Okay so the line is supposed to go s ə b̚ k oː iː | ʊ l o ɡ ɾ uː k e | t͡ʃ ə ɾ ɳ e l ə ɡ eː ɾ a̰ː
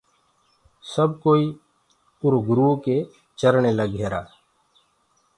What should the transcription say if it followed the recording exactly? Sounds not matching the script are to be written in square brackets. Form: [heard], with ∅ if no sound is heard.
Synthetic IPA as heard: s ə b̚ k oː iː | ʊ [ɾ] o ɡ ɾ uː k e | t͡ʃ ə ɾ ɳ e l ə ɡ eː ɾ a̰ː